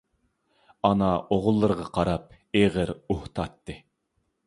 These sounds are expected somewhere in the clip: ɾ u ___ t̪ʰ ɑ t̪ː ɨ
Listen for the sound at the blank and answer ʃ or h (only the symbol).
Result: h